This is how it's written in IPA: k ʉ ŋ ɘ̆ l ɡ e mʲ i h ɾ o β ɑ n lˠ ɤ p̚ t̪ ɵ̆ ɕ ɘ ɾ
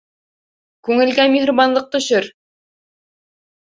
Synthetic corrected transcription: k ʉ ŋ ɘ̆ l ɡ æ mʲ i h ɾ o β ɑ n lˠ ɤ q̚ t̪ ɵ̆ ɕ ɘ ɾ